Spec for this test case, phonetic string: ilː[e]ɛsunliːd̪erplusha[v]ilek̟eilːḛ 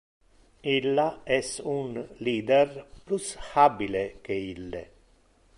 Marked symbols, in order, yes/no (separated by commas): no, no